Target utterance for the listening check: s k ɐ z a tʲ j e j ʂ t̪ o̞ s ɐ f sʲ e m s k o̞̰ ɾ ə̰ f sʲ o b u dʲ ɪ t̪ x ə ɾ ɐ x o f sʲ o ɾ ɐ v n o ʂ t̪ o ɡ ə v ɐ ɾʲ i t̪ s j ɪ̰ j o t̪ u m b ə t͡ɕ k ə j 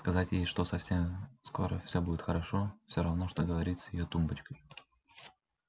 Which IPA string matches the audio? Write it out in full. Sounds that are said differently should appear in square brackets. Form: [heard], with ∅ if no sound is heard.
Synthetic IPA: s k ɐ z a tʲ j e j ʂ t̪ o̞ s ɐ f sʲ e m s k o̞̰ ɾ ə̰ f sʲ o b u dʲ ɪ t̪ x ə ɾ ɐ [ʂ] o f sʲ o ɾ ɐ v n o ʂ t̪ o ɡ ə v ɐ ɾʲ i t̪ s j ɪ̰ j o t̪ u m b ə t͡ɕ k ə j